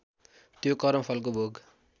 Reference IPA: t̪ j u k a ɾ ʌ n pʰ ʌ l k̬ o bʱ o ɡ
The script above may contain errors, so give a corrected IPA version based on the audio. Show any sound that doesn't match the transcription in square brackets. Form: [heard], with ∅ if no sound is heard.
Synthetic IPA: t̪ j [o] k [ʌ] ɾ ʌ [m] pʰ ʌ l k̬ o bʱ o ɡ